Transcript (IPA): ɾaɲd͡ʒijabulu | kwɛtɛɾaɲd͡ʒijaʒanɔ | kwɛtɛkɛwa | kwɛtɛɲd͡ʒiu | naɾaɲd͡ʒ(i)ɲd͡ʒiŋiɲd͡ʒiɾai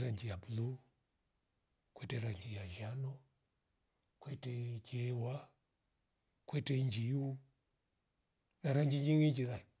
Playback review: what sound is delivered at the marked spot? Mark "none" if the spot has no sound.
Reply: i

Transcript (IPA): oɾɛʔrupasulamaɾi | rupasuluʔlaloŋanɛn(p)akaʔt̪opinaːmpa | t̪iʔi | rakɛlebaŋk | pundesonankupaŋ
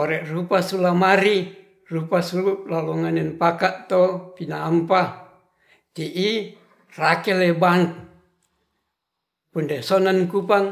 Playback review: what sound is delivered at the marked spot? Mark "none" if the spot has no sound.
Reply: p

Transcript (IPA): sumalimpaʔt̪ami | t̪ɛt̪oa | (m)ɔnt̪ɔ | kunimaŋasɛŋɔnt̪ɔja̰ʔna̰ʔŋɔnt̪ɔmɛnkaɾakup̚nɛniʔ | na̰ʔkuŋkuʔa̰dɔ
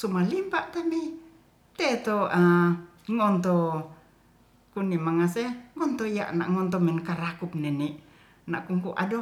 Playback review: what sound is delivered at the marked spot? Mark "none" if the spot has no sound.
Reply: ŋ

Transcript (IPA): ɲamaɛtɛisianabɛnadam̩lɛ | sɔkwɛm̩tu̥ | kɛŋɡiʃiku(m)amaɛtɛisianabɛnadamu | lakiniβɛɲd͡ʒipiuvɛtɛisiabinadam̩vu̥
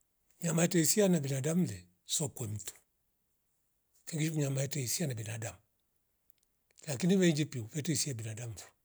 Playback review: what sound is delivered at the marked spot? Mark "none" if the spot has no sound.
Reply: ɲ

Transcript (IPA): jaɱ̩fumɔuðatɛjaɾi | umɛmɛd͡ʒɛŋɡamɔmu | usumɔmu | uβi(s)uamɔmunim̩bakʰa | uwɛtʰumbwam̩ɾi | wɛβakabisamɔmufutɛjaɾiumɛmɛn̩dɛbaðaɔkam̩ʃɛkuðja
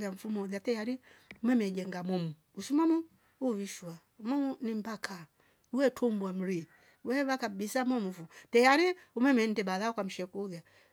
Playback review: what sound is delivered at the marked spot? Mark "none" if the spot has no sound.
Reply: ʃ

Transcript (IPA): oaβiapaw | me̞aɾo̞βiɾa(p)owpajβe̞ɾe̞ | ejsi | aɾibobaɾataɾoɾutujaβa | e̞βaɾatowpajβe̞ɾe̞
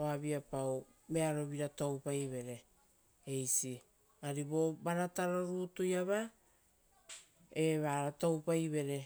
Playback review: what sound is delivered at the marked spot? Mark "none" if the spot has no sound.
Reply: t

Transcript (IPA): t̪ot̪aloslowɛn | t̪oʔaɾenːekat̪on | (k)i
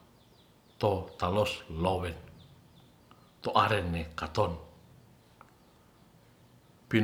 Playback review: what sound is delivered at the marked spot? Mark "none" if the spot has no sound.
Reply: p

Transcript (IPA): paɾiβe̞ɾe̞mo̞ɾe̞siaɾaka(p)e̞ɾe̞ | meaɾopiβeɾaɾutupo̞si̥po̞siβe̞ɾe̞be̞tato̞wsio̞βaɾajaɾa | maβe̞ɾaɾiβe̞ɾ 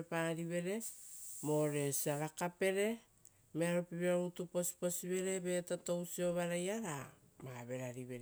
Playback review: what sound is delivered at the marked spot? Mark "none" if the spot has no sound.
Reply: p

